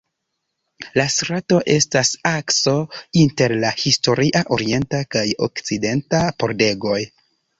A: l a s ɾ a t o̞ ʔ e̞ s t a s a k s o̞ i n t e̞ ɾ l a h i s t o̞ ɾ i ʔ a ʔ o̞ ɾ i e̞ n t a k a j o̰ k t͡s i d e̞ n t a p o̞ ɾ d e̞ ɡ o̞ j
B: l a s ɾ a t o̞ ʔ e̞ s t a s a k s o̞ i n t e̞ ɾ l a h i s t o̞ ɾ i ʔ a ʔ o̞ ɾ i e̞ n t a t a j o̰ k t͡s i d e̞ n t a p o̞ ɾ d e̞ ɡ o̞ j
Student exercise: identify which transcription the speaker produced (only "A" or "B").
A